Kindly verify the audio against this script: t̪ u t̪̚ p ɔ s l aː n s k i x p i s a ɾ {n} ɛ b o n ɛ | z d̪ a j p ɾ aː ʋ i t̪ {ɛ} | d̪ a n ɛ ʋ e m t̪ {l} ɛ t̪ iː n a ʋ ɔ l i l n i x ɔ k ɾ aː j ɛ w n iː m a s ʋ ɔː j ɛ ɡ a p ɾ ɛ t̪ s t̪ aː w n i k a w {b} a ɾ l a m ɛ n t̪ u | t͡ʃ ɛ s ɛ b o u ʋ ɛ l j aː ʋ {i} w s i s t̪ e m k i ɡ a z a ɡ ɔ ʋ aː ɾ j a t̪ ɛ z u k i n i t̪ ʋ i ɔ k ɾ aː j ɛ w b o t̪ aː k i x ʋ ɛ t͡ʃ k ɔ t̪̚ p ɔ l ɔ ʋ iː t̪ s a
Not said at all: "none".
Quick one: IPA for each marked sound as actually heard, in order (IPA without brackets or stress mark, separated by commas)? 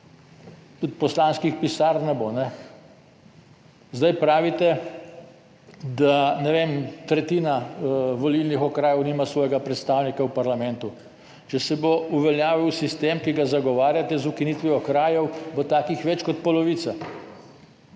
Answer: n, ɛ, ɾ, p, i